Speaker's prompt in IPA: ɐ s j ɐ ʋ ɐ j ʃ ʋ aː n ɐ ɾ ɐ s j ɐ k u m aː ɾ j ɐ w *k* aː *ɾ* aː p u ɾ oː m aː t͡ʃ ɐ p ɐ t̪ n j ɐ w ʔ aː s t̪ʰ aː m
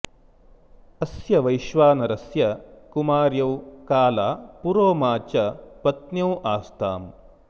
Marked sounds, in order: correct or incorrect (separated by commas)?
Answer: correct, incorrect